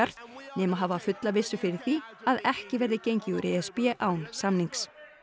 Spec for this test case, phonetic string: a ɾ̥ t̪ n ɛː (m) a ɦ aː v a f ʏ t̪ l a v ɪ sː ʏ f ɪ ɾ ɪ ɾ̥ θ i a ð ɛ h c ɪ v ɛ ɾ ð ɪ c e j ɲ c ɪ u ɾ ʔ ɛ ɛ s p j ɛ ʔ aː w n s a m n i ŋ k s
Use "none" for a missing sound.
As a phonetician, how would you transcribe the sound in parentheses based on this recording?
m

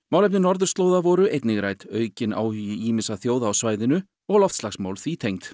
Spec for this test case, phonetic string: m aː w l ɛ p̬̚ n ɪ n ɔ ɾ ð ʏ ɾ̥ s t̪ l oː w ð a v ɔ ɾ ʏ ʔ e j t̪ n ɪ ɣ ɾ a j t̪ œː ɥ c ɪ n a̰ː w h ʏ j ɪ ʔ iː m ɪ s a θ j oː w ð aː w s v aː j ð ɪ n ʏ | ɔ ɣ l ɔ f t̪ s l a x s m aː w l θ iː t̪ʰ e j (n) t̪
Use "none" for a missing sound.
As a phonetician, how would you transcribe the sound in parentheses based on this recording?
ŋ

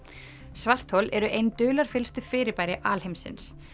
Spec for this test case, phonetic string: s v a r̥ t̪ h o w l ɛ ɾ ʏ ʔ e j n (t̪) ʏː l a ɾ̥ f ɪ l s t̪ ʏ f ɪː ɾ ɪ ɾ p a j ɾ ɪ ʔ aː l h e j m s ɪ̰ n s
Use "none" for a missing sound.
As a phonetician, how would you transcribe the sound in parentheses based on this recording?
t̪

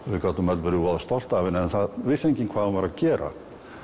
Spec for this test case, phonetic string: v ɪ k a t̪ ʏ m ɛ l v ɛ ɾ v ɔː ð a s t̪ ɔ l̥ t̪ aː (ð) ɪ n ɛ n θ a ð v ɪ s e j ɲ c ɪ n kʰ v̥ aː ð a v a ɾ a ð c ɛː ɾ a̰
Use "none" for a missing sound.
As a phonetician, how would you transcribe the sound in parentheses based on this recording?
v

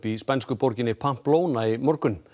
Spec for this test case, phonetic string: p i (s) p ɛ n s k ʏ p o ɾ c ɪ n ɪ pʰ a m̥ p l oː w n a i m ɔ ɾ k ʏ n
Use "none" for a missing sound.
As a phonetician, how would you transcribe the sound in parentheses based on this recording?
s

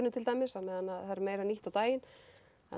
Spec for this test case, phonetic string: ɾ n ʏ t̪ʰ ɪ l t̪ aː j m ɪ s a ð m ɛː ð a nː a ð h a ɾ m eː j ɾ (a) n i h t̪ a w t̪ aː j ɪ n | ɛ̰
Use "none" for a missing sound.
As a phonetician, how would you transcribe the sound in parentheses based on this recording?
a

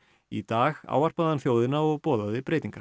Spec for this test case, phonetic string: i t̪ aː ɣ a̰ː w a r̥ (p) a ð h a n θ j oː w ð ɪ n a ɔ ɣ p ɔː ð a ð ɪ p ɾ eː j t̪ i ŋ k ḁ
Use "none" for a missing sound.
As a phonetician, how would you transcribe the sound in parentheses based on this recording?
p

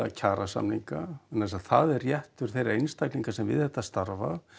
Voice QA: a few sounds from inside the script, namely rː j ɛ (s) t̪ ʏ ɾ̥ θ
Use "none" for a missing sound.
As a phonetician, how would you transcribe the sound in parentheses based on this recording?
h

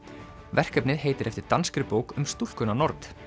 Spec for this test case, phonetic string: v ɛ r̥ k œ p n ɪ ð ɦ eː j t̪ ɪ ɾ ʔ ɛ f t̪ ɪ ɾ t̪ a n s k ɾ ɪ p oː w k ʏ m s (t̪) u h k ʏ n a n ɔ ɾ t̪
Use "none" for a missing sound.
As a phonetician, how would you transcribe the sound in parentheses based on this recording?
t̪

